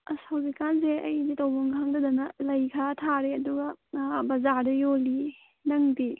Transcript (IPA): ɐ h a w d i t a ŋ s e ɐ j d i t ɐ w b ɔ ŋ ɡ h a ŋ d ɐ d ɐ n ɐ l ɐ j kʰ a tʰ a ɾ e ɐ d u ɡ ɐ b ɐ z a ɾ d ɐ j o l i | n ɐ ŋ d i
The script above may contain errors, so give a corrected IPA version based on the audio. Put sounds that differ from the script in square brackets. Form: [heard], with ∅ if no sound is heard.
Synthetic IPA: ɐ [s] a w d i [k] a [n] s e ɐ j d i t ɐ w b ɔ ŋ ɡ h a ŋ d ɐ d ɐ n ɐ l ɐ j kʰ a tʰ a ɾ e ɐ d u ɡ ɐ b ɐ z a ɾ d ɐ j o l i | n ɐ ŋ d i